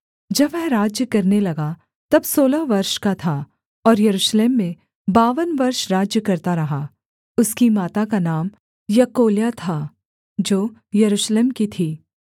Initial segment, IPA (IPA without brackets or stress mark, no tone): d͡ʒ